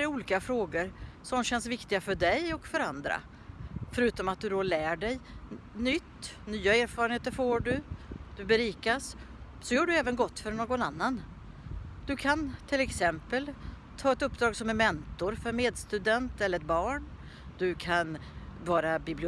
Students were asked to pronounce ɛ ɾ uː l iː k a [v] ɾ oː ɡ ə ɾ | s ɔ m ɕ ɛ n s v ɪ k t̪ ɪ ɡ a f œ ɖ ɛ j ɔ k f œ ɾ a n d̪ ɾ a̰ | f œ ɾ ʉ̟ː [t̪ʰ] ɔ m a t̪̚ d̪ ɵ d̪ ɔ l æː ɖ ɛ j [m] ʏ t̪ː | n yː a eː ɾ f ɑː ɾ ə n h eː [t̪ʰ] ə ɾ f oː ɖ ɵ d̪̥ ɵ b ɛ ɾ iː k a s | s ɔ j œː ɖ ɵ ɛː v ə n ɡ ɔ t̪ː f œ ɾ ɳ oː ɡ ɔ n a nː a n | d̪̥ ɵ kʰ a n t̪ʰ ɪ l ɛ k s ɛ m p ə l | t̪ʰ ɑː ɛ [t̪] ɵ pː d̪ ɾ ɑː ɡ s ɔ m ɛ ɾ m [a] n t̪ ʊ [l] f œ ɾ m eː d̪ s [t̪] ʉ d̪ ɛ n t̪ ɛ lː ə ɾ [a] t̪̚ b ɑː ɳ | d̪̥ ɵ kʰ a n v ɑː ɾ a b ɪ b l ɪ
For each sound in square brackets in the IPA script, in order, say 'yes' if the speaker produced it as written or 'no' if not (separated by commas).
no, no, no, no, yes, no, no, yes, no